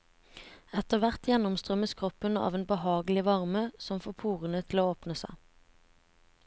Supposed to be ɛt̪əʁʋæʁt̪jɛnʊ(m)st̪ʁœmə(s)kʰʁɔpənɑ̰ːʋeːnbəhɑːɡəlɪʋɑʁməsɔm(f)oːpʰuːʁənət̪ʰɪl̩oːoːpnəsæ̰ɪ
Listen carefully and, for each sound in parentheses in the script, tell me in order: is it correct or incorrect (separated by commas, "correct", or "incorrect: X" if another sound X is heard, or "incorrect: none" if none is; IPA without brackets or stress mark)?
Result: correct, correct, correct